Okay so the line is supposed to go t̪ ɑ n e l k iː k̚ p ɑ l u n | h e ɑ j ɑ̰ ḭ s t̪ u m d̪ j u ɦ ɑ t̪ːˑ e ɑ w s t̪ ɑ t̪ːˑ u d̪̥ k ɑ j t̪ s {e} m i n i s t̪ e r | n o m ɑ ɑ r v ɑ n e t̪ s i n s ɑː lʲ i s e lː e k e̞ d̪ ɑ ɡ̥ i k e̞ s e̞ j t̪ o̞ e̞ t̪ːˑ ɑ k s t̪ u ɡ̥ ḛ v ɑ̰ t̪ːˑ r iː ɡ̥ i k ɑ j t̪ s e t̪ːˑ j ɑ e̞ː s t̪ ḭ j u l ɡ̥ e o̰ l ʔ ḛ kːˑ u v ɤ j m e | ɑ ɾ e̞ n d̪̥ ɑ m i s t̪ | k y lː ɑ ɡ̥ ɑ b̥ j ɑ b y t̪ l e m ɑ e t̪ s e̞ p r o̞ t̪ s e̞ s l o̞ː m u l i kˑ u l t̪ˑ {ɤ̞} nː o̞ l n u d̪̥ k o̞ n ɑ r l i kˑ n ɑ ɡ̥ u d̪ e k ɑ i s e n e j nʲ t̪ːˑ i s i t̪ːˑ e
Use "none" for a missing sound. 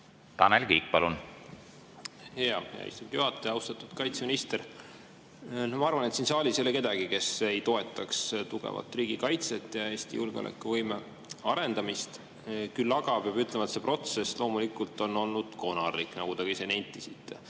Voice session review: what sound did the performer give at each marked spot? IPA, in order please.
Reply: e, o̞

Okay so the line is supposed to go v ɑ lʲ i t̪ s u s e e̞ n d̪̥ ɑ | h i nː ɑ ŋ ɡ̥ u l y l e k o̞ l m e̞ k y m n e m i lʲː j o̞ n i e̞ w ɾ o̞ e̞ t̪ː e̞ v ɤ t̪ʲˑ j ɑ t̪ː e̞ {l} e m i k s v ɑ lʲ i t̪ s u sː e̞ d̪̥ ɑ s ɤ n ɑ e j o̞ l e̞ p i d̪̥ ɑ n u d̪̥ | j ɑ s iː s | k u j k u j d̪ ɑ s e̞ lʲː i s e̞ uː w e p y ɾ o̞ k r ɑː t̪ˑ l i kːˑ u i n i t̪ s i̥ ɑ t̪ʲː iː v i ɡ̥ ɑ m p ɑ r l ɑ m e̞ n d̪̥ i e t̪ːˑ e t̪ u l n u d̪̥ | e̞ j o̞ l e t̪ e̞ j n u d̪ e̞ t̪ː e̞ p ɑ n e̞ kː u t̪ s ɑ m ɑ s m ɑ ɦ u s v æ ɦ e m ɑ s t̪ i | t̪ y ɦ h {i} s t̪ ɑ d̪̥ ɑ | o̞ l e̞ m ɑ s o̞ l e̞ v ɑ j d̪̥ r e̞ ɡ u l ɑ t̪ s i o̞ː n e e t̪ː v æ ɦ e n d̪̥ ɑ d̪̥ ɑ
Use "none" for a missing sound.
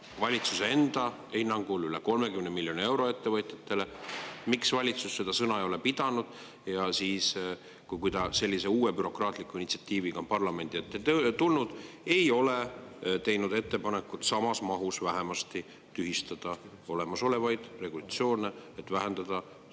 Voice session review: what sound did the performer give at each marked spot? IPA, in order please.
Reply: l, i

